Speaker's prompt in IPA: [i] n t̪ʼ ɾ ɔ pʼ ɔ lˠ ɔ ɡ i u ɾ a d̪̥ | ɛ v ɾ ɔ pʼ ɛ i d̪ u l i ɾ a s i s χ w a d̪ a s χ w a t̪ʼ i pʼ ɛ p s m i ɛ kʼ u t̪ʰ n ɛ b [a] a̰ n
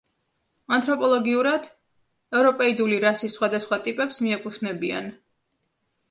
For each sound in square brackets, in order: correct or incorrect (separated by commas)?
incorrect, incorrect